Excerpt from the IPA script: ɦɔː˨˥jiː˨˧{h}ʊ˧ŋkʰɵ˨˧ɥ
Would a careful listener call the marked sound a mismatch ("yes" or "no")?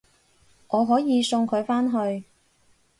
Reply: yes